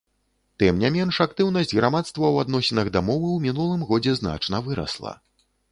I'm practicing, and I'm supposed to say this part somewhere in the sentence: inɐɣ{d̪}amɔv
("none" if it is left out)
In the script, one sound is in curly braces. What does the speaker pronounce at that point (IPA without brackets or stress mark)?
d̪